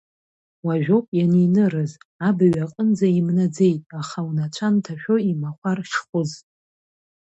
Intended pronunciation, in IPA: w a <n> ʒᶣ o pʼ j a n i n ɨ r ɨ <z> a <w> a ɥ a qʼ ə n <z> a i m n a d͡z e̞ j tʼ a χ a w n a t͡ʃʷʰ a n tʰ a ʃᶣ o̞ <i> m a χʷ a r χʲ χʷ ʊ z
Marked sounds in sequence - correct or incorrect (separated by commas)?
incorrect, correct, incorrect, incorrect, correct